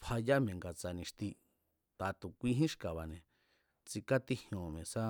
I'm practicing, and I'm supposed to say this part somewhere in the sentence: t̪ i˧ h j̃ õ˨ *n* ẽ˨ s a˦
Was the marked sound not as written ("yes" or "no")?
yes